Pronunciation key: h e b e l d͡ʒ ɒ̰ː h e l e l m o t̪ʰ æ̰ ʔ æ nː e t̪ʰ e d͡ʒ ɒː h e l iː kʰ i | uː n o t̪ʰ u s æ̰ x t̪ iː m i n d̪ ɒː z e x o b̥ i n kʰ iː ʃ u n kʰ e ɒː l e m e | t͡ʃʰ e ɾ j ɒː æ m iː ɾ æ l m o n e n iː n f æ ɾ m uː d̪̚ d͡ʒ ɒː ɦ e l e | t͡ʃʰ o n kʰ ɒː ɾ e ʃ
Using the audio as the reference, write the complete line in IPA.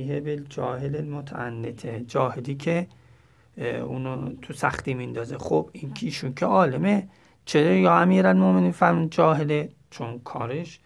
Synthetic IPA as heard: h e b e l d͡ʒ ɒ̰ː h e l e l m o t̪ʰ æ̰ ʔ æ nː e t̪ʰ e d͡ʒ ɒː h e l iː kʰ e | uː n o t̪ʰ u s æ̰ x t̪ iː m i n d̪ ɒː z e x o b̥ i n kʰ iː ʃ u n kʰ e ɒː l e m e | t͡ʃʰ e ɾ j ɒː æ m iː ɾ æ l m o m e n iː n f æ ɾ m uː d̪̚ d͡ʒ ɒː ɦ e l e | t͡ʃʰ o n kʰ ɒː ɾ e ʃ